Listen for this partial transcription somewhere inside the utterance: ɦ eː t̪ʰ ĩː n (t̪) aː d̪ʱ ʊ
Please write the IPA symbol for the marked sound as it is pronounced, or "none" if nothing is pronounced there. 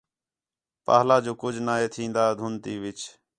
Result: d̪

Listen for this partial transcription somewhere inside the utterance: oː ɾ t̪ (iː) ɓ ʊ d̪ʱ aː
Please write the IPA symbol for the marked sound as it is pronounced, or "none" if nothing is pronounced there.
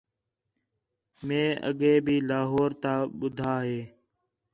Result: aː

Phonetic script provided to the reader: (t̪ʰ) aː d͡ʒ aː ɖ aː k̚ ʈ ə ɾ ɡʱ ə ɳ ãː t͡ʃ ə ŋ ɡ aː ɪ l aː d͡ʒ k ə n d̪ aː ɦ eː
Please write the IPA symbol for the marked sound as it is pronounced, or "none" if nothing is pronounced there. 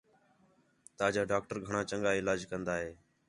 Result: t̪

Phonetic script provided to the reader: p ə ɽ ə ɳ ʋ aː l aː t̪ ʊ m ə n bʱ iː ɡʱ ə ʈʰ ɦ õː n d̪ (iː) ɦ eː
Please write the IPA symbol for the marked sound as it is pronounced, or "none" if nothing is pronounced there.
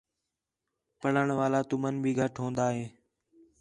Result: aː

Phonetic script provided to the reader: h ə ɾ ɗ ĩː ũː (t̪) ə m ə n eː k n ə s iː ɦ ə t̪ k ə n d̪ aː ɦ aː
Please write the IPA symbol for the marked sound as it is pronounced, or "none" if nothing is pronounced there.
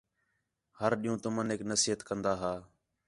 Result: t̪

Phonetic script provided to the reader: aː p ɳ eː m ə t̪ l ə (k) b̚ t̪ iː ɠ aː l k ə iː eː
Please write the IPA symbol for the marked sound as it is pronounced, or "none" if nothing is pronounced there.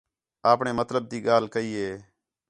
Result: none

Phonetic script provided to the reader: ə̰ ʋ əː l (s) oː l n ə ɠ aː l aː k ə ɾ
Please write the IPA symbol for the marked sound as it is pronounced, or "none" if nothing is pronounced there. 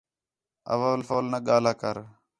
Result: f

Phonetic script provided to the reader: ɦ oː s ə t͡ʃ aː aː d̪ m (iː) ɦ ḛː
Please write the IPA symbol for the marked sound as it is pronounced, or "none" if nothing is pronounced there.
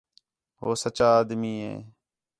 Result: iː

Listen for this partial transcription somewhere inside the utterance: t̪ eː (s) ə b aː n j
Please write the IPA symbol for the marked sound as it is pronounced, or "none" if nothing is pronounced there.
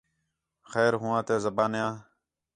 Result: z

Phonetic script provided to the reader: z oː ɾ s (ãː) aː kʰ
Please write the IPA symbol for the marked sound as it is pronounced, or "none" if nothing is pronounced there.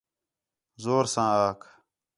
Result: ãː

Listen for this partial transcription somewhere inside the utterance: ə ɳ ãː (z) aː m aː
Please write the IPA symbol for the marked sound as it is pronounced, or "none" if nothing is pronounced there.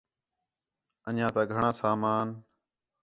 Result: s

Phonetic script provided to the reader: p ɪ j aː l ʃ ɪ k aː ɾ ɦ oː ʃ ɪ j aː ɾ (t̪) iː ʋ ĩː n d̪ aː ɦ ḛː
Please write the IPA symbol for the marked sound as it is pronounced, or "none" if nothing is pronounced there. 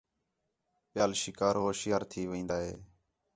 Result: t̪ʰ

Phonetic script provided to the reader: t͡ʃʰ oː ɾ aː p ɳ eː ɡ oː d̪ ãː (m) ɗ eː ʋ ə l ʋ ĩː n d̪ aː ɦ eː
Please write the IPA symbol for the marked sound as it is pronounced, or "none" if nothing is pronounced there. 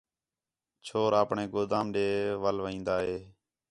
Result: m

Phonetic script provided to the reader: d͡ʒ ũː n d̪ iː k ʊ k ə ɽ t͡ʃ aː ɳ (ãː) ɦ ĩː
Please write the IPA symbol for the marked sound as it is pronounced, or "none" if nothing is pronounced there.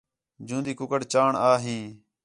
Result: aː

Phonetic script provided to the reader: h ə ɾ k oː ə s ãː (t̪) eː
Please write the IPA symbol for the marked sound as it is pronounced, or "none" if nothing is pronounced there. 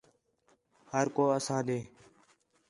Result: d̪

